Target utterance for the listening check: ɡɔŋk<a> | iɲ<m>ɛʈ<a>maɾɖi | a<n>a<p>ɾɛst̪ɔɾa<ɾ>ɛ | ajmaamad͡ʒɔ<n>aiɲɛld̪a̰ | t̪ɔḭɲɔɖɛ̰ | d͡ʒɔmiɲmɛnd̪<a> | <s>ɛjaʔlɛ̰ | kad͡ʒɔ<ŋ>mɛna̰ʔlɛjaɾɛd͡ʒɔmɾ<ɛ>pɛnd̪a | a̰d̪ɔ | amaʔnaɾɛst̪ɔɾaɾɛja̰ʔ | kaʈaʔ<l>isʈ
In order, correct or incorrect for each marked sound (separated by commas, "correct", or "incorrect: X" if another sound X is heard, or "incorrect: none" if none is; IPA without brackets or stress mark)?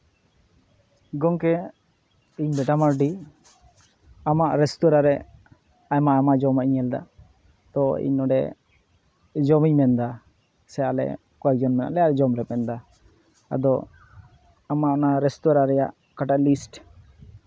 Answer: incorrect: ɛ, incorrect: b, correct, incorrect: m, incorrect: ʔ, correct, incorrect: m, correct, correct, incorrect: n, correct, correct